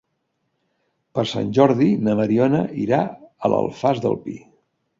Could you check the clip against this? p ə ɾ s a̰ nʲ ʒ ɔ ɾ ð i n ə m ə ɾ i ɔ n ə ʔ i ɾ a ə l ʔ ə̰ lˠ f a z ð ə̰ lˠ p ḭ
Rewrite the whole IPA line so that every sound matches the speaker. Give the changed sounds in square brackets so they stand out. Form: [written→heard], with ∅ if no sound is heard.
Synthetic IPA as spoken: p ə ɾ s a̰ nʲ ʒ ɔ ɾ ð i n ə m ə ɾ i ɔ n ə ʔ i ɾ a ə l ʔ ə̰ lˠ f a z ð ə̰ lˠ p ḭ